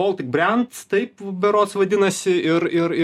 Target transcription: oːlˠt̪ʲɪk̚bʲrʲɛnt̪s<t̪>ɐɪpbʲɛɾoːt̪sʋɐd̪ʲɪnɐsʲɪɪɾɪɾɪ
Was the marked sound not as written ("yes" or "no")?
no